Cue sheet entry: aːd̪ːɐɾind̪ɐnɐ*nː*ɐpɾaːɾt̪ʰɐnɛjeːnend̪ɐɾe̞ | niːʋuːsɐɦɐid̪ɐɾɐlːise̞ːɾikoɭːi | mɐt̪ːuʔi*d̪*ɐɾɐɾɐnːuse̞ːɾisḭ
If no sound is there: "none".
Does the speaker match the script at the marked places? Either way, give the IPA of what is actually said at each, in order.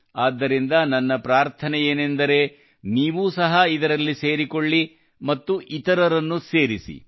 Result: nː, t̪

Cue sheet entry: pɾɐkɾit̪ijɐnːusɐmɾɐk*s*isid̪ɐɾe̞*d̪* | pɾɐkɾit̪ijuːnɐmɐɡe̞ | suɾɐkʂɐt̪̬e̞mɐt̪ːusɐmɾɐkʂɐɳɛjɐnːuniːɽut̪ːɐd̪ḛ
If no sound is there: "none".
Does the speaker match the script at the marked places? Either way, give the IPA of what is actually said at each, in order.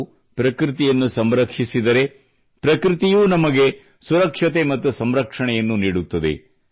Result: ʂ, none

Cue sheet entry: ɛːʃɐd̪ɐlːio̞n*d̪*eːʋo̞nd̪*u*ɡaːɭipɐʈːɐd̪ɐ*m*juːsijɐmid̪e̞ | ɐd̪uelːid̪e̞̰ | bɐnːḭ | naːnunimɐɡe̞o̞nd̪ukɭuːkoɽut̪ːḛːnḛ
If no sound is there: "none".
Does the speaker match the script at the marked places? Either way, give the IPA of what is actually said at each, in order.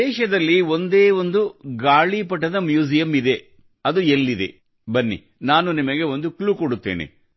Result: d̪, u, m

